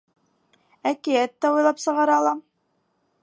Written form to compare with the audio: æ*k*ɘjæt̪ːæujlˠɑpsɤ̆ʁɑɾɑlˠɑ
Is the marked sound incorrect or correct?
correct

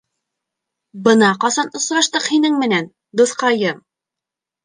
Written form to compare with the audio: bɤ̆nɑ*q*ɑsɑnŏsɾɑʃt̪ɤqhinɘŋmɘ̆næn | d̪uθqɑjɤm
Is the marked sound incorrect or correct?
correct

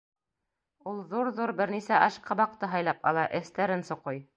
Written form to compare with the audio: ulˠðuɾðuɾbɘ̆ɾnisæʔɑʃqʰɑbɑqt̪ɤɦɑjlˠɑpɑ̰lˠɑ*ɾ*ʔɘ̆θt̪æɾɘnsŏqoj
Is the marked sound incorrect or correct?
incorrect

